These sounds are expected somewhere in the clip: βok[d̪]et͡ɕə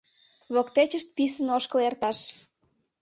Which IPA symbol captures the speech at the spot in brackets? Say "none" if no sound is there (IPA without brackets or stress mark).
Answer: t̪